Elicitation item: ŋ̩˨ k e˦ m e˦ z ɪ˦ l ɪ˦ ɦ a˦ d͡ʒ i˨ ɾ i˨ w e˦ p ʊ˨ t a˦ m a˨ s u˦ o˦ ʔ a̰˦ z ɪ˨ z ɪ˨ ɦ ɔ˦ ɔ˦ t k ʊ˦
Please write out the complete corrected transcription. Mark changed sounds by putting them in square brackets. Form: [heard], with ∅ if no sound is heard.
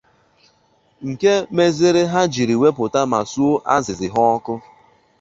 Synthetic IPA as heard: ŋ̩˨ k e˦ m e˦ z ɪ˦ [ɾ] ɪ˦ ɦ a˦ d͡ʒ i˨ ɾ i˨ w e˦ p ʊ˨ t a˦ m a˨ s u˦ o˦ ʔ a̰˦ z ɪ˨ z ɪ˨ ɦ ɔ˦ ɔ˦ [∅] k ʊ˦

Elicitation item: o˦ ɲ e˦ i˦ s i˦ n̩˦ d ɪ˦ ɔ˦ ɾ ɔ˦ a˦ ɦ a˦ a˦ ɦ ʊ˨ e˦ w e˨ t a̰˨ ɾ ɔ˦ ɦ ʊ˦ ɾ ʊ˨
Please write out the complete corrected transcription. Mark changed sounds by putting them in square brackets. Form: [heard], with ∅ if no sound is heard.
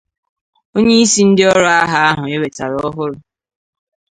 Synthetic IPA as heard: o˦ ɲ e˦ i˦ s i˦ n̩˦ d ɪ˦ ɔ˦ ɾ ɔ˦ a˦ ɦ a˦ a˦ ɦ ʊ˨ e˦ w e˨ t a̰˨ ɾ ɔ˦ ɦ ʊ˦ ɾ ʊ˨

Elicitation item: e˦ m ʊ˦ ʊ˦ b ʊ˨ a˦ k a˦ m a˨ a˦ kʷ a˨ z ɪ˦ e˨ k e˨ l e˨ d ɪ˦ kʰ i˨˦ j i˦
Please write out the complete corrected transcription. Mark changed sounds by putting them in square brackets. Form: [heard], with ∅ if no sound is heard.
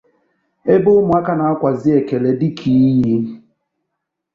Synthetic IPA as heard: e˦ [b] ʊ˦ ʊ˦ [m] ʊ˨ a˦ k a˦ [n] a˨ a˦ kʷ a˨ z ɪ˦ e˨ k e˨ l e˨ d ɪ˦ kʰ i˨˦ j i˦

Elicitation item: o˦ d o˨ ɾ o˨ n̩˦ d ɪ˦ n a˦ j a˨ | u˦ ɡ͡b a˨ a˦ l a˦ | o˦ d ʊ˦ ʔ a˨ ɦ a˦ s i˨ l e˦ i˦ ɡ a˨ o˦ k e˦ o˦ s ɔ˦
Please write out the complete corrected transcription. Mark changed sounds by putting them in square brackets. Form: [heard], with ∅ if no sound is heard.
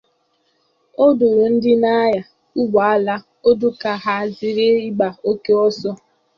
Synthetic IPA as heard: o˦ d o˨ ɾ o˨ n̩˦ d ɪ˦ n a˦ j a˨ | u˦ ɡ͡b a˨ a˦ l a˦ | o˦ d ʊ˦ [k] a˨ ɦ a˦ [z] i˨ [ɾ] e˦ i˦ [ɡ͡b] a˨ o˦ k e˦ [ɔ˦] s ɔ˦

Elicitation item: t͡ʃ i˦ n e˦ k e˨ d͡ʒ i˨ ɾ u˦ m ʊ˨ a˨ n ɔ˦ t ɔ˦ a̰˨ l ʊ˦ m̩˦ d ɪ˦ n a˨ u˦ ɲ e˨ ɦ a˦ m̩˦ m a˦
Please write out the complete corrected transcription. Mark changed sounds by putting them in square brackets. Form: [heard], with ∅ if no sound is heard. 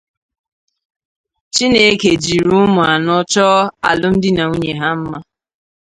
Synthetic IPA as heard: t͡ʃ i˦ n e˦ k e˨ d͡ʒ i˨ ɾ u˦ m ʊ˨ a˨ n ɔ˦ [t͡ʃ] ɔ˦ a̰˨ l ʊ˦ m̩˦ d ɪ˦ n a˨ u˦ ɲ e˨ ɦ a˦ m̩˦ m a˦

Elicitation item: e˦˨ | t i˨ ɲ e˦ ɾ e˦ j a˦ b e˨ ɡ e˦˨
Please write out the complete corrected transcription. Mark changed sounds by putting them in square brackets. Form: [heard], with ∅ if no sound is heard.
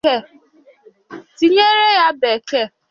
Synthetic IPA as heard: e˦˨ | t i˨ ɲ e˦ ɾ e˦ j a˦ b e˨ [k] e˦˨

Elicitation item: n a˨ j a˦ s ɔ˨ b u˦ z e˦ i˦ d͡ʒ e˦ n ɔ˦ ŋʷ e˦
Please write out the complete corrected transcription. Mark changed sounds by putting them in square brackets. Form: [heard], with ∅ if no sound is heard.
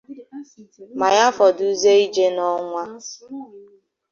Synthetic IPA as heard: [m] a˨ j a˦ [f] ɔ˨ [d] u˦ z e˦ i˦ d͡ʒ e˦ n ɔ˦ ŋʷ [a˦]

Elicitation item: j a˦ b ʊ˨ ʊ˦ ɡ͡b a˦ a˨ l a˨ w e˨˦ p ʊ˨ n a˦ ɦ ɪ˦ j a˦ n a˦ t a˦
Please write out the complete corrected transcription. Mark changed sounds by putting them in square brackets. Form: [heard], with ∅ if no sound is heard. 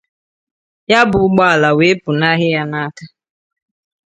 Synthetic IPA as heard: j a˦ b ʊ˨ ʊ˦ ɡ͡b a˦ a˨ l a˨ w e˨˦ p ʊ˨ n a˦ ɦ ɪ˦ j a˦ n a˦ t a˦

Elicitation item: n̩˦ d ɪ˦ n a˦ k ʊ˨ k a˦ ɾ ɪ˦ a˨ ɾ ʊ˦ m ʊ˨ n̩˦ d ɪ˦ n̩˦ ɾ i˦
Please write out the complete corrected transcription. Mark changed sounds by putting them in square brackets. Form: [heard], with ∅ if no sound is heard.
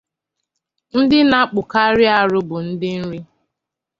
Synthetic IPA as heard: n̩˦ d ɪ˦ n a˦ [k͡p] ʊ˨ k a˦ ɾ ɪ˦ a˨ ɾ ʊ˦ [b] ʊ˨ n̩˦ d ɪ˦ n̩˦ ɾ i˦

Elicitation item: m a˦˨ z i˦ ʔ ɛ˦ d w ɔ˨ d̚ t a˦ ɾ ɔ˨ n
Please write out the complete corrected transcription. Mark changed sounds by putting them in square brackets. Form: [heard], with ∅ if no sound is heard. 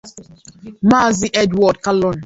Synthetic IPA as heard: m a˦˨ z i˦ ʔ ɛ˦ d w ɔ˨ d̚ [k] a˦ [l] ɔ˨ n

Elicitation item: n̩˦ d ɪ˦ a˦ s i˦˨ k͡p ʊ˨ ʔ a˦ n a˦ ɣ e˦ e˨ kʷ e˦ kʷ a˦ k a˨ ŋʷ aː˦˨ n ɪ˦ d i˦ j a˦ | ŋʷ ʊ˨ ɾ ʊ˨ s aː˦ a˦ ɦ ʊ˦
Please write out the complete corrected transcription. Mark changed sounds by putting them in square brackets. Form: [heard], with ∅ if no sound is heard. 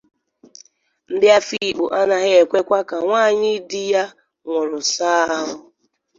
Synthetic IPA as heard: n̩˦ d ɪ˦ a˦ [f] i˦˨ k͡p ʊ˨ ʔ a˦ n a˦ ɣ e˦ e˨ kʷ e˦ kʷ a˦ k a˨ ŋʷ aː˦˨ [ɲ] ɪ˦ d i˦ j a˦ | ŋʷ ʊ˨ ɾ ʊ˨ s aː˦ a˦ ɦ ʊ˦

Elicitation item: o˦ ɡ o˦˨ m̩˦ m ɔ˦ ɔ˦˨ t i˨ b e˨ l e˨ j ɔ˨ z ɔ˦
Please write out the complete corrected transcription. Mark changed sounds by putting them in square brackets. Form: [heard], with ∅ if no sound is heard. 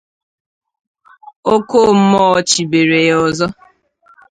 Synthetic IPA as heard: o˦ [k] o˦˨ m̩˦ m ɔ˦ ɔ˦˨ [t͡ʃ] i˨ b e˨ [ɾ] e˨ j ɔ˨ z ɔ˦

